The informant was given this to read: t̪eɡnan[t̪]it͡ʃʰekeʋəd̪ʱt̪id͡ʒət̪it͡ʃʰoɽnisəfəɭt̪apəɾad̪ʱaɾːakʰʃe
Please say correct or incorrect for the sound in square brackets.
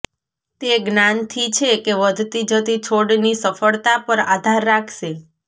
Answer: incorrect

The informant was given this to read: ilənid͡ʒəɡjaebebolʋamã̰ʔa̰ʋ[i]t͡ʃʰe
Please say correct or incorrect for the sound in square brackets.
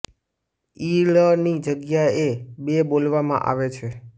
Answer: incorrect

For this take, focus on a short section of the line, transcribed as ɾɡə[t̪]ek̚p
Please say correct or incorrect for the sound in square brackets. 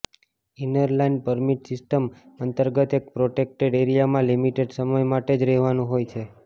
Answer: correct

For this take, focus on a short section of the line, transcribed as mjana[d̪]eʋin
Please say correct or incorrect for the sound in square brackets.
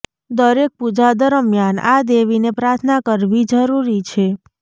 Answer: correct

